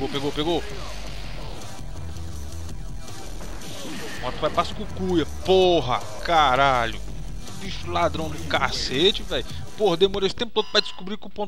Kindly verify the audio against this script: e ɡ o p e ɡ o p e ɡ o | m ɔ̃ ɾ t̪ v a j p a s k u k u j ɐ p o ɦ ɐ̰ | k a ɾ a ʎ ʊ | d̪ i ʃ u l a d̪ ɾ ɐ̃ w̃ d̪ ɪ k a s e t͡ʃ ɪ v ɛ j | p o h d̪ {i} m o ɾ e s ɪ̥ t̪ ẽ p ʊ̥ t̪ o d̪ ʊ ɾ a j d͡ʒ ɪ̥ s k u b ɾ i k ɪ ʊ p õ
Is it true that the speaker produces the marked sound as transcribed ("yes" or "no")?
no